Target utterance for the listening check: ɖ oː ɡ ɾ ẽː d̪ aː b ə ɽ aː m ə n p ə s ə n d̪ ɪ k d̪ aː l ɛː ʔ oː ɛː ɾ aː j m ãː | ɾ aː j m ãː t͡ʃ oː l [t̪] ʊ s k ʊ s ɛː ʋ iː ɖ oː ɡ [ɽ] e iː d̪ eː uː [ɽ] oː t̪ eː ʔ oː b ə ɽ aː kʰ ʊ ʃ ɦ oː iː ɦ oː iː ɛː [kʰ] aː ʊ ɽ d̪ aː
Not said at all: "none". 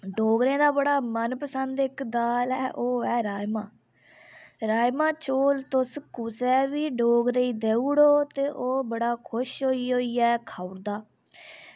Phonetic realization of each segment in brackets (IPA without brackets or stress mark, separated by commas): t̪, ɾ, ɽ, kʰ